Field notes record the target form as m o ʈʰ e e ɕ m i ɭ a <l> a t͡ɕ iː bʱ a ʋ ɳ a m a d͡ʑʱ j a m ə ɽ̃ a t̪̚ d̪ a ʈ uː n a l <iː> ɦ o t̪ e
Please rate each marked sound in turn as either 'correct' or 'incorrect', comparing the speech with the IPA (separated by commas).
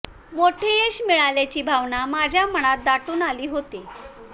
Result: correct, correct